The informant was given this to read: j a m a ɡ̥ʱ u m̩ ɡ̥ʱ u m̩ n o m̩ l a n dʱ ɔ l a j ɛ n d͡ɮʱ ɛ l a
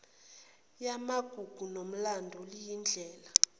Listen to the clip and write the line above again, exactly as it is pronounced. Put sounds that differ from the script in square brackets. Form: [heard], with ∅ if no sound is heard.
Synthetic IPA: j a m a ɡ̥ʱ u [∅] ɡ̥ʱ u [∅] n o m̩ l a n dʱ ɔ l [i] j [i] n d͡ɮʱ [ɛː] l a